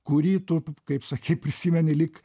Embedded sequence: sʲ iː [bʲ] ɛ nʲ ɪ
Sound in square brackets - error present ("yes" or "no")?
yes